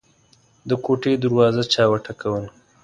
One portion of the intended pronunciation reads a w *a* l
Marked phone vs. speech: incorrect: ə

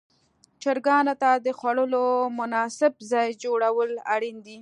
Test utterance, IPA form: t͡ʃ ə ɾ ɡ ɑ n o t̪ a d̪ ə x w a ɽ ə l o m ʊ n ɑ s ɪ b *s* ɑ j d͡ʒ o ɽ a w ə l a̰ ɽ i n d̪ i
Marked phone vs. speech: incorrect: z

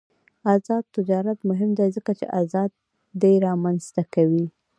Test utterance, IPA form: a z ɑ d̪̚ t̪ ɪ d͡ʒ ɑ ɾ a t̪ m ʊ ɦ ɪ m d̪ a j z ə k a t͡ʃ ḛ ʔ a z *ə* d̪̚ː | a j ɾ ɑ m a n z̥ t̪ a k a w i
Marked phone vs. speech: incorrect: ɑ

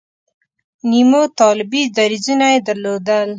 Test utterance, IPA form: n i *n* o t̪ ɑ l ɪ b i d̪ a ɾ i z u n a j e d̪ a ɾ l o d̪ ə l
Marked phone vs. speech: incorrect: m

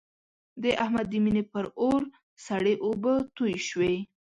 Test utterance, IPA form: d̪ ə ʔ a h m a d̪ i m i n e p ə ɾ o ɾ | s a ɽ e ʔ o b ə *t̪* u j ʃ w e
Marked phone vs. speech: correct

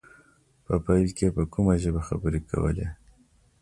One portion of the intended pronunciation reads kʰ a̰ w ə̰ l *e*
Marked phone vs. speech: correct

